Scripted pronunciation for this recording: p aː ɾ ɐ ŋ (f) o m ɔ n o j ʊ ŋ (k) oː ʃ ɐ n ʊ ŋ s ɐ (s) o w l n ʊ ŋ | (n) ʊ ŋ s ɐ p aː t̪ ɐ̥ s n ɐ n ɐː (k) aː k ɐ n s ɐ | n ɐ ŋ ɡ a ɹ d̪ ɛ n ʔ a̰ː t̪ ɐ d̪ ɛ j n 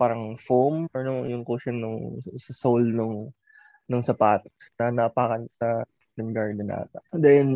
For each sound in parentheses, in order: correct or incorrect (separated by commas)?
correct, correct, correct, correct, incorrect